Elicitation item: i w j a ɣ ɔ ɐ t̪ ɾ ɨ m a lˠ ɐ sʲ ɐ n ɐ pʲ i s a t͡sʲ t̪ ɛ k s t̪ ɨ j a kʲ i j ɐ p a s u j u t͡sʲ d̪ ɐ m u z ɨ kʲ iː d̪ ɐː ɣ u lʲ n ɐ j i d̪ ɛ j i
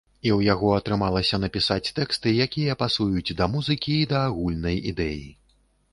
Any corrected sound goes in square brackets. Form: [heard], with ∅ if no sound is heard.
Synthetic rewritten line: i w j a ɣ ɔ ɐ t̪ ɾ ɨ m a lˠ ɐ sʲ ɐ n ɐ pʲ i s a t͡sʲ t̪ ɛ k s t̪ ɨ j a kʲ i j ɐ p a s u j u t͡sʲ d̪ ɐ m u z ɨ kʲ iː d̪ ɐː ɣ u lʲ n ɐ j i d̪ ɛ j i